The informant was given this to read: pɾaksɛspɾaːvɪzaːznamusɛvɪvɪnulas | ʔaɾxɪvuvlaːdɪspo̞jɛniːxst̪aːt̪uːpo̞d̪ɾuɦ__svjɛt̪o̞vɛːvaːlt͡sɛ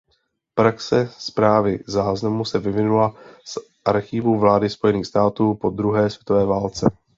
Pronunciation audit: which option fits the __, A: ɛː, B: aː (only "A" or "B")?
A